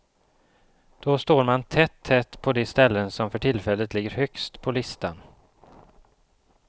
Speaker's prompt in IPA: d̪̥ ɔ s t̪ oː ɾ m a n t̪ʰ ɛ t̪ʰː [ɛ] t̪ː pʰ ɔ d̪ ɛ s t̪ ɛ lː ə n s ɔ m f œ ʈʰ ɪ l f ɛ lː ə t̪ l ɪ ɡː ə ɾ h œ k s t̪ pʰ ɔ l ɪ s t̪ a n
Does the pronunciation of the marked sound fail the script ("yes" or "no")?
no